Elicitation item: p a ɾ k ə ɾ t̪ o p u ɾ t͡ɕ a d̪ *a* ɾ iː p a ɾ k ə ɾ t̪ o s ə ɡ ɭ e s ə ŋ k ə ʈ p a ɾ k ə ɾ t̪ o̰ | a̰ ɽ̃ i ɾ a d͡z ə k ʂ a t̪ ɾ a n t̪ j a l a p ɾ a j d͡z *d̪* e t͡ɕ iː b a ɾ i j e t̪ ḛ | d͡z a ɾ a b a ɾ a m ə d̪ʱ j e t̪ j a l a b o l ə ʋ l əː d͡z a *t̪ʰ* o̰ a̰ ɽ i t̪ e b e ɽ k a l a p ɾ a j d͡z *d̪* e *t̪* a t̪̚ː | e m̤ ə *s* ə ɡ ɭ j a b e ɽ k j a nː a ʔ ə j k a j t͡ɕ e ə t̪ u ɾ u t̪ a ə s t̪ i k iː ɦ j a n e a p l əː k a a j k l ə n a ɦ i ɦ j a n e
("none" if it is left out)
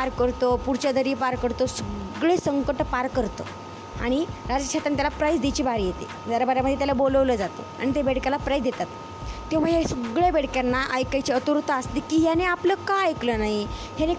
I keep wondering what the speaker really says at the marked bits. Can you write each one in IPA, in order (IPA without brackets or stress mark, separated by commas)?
ə, d̪, t̪, d̪, t̪, s